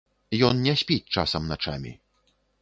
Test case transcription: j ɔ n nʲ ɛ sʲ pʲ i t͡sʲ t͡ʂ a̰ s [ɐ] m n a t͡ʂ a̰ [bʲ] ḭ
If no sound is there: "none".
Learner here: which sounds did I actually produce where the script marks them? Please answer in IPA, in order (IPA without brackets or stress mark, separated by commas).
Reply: ɐ, mʲ